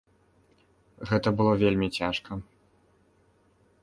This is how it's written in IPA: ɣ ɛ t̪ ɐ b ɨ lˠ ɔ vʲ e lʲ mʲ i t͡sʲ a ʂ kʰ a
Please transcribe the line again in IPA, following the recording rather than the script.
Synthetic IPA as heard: ɣ ɛ t̪ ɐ b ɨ lˠ ɔ vʲ e lʲ mʲ i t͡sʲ a ʂ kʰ ɐ